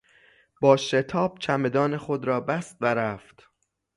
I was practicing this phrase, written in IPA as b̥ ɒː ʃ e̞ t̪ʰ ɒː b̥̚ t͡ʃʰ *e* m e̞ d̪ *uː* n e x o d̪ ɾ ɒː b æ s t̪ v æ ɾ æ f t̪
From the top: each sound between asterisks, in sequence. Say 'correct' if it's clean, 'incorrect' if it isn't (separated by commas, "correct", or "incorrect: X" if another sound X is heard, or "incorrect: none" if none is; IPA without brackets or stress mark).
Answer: incorrect: æ, incorrect: ɒː